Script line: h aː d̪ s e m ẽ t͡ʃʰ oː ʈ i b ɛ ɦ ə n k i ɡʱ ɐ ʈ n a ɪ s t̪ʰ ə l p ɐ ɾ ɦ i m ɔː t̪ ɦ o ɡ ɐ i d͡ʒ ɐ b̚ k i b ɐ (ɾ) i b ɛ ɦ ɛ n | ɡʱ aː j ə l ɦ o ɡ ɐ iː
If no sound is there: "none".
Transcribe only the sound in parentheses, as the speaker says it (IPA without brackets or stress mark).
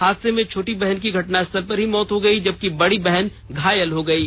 ɽ